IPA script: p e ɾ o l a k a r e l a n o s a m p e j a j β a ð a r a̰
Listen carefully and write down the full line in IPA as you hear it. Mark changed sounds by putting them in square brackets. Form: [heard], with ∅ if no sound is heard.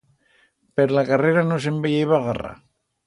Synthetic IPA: p e ɾ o l a k a r e [ɾ] a n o s [e] m [b] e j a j β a [ɣ] a r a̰

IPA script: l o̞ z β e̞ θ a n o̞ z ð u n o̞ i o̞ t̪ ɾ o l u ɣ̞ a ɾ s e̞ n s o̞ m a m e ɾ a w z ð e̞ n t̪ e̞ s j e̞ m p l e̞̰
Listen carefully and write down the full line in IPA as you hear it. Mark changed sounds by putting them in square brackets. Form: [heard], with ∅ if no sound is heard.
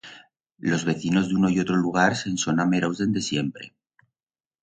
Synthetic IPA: l o̞ z β e̞ θ [i] n o̞ z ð u n o̞ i o̞ t̪ ɾ o l u ɣ̞ a ɾ s e̞ n s o̞ [n] a m e ɾ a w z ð e̞ n [d̪] e̞ s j e̞ m p [ɾ] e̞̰

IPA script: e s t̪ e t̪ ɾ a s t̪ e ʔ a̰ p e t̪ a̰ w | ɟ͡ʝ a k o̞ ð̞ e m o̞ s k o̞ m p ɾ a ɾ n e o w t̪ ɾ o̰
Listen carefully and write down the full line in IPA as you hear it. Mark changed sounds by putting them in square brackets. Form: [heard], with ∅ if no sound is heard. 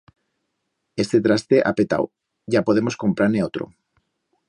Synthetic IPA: e s t̪ e t̪ ɾ a s t̪ e ʔ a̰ p e t̪ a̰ w | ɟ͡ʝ a [p] o̞ ð̞ e m o̞ s k o̞ m p ɾ a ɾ n e o [∅] t̪ ɾ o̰

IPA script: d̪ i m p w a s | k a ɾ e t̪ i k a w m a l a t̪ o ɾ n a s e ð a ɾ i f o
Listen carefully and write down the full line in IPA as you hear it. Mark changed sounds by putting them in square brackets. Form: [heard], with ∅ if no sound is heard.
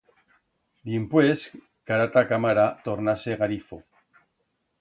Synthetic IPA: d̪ i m p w [e] s | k a ɾ [a] t̪ [a] k a [∅] m a [ɾ] a t̪ o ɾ n a s e [ɣ] a ɾ i f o

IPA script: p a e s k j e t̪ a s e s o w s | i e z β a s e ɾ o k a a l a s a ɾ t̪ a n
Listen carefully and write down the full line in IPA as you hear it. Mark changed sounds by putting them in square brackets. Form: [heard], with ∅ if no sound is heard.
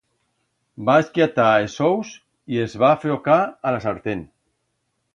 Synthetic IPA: [b] a e s k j [a] t̪ a [∅] e s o w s | i e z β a [f] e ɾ o k a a l a s a ɾ t̪ [e] n

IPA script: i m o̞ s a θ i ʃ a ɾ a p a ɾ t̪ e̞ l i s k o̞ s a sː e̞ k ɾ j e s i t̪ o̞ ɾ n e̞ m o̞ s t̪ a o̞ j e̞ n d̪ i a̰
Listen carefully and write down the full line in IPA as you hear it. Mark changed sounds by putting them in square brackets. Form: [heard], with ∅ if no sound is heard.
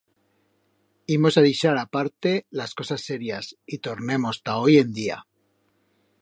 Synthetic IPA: i m o̞ s a [ð] i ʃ a ɾ a p a ɾ t̪ e̞ l [a] s k o̞ s a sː e̞ [∅] ɾ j [a] s i t̪ o̞ ɾ n e̞ m o̞ s t̪ a o̞ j e̞ n d̪ i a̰

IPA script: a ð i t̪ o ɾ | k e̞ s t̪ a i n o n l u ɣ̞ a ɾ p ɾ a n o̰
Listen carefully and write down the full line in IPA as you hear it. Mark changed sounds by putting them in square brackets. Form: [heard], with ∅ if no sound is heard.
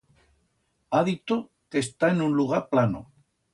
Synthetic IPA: a ð i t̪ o [∅] | k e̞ s t̪ a [e] n [u] n l u ɣ̞ a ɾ p [l] a n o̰

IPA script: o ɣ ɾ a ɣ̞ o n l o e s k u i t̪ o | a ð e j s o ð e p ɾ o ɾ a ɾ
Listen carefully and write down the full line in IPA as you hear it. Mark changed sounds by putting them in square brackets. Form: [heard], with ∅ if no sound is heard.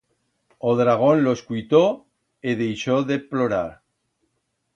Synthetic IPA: o [ð] ɾ a ɣ̞ o n l o e s k u [j] t̪ o | [e] ð e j [ʃ] o ð e p [l] o ɾ a ɾ

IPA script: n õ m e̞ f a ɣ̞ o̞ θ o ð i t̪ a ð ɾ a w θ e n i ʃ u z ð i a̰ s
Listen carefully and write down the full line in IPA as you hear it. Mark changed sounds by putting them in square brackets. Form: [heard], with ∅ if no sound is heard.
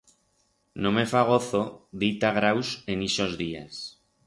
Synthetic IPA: n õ m e̞ f a ɣ̞ o̞ θ o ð i t̪ a [ɣ] ɾ a w [s] e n i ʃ [o] z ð i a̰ s

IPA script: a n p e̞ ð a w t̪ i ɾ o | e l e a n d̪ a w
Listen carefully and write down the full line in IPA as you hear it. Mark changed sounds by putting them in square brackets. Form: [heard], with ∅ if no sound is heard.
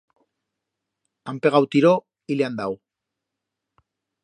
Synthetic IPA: a [m] p e̞ [ɣ] a w t̪ i ɾ o | [i] l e a n d̪ a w

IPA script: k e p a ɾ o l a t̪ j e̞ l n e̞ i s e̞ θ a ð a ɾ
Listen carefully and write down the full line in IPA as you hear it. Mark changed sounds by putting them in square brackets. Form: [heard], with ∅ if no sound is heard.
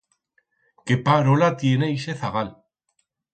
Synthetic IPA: k e p a ɾ o l a t̪ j e̞ [∅] n e̞ i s e̞ θ a [ɣ] a [l]

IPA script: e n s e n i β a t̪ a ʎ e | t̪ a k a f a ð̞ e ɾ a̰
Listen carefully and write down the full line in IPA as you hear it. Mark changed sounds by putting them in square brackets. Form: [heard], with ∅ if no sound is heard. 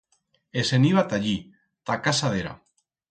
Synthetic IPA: e [∅] s e n i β a t̪ a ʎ [i] | t̪ a k a [s] a ð̞ e ɾ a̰

